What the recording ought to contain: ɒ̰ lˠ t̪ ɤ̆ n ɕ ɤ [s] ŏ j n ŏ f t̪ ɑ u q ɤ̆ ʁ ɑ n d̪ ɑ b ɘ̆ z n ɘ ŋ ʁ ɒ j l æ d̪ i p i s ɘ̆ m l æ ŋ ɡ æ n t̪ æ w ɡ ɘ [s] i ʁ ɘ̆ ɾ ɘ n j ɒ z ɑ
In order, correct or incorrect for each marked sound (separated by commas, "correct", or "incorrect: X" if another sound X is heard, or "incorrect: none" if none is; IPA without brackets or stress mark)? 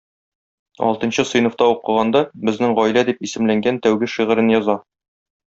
correct, incorrect: ʃ